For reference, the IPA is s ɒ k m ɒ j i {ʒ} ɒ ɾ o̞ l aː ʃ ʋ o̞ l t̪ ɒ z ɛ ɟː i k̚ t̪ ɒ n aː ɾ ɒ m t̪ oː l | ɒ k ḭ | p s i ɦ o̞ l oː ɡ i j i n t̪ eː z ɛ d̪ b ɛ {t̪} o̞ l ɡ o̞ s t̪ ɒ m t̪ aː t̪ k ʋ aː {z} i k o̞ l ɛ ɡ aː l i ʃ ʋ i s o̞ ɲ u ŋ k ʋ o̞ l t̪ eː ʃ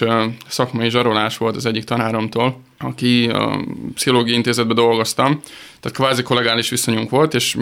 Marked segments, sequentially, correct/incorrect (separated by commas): correct, incorrect, correct